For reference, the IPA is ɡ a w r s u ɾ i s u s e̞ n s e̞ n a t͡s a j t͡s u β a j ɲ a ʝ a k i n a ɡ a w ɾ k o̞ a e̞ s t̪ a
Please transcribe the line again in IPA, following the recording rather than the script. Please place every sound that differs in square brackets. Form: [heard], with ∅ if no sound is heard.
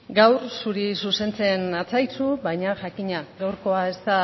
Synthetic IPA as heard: ɡ a w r s u ɾ i s u s e̞ n [t͡s] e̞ n a t͡s a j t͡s u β a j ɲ a ʝ a k i [ɲ] a ɡ a w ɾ k o̞ a e̞ s t̪ a